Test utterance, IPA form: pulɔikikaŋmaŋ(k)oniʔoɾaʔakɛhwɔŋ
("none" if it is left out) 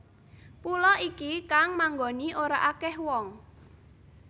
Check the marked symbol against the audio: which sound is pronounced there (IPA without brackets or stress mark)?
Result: ɡ